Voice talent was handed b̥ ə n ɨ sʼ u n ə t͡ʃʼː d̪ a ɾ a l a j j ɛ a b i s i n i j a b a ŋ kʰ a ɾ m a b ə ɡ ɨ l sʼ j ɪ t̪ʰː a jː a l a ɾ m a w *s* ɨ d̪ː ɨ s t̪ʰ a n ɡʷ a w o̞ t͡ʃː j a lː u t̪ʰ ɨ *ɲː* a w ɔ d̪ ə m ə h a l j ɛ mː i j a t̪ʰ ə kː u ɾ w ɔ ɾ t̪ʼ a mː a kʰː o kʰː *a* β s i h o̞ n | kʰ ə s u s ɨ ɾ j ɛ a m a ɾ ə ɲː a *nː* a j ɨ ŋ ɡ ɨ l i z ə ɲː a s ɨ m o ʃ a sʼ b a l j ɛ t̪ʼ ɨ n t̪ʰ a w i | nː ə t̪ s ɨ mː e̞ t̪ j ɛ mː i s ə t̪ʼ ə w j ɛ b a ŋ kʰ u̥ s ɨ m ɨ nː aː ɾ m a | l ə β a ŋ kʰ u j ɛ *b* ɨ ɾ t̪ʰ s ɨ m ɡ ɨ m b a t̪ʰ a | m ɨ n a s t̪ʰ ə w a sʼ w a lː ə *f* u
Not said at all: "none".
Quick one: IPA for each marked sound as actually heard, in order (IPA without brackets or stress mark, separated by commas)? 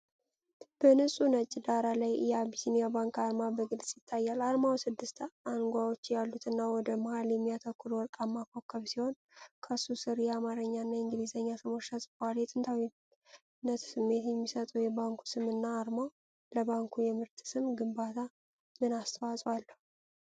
s, nː, ə, nː, m, h